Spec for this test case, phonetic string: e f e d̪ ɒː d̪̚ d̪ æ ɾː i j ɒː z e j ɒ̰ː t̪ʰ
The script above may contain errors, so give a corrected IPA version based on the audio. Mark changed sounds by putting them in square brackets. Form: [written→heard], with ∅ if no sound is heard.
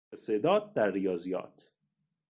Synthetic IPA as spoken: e [f→s] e d̪ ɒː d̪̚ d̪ æ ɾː i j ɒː z [e→i] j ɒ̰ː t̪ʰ